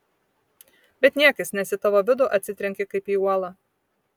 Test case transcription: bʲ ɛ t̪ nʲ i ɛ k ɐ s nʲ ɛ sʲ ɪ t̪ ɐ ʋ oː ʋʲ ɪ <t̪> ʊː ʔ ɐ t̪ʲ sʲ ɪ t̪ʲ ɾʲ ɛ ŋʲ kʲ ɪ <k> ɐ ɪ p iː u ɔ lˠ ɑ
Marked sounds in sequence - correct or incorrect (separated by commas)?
incorrect, correct